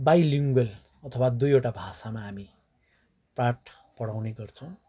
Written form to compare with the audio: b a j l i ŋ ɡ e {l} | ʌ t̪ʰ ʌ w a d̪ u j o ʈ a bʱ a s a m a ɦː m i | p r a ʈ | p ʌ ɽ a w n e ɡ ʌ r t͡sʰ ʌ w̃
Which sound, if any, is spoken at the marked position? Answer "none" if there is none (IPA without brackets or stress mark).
l